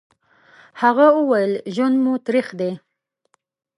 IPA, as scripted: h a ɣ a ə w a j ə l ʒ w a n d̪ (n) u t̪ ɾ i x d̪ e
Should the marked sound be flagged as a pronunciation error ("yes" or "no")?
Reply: yes